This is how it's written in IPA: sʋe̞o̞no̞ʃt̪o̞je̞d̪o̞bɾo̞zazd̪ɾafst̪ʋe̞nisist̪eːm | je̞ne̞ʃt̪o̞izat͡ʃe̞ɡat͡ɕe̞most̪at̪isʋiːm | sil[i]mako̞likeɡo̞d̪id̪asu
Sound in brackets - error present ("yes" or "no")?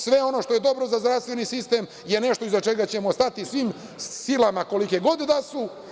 yes